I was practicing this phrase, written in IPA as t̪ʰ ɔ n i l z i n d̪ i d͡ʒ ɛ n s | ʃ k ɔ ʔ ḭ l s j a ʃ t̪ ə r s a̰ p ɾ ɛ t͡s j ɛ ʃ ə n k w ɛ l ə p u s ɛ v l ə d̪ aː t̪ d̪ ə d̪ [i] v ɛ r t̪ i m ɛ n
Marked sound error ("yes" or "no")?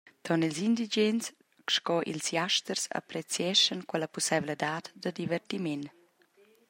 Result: no